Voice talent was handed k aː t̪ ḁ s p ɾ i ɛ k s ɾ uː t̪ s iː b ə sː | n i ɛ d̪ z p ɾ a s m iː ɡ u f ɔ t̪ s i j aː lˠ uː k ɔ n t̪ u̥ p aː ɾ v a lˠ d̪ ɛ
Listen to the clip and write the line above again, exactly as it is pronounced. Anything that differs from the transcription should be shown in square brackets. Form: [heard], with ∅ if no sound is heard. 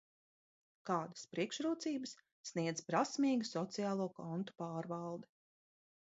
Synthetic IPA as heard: k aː [d̪] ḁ s p ɾ i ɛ k [ʃ] ɾ uː t̪ s iː b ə sː | n i ɛ d̪ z p ɾ a s m iː ɡ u [s] ɔ t̪ s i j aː lˠ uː k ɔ n t̪ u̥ p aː ɾ v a lˠ d̪ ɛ